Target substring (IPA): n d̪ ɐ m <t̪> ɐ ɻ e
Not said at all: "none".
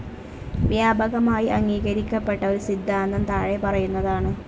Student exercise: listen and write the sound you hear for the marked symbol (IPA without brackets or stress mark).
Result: t̪